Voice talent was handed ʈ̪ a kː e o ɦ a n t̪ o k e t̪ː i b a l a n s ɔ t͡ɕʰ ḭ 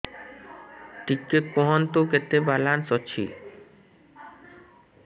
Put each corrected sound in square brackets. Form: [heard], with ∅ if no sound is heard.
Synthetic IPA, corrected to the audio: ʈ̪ [i] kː e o ɦ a n t̪ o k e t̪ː [e] b a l a n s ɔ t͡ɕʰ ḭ